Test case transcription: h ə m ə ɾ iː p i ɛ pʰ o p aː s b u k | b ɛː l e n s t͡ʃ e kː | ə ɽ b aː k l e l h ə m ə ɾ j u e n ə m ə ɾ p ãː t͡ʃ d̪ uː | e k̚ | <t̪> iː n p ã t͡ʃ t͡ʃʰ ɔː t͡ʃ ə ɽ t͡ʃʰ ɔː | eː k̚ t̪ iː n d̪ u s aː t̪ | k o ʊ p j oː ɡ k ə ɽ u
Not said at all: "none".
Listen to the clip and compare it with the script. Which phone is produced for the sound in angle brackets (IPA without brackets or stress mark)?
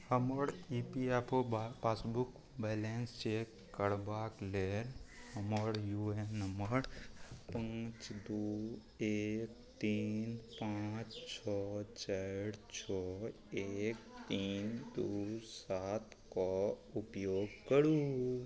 t̪